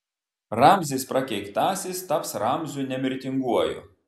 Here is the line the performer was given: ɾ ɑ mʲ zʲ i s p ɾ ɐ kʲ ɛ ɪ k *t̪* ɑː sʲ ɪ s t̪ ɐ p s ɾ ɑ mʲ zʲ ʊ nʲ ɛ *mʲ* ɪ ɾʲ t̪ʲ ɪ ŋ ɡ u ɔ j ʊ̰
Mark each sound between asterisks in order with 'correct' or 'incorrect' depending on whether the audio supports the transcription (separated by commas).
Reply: correct, correct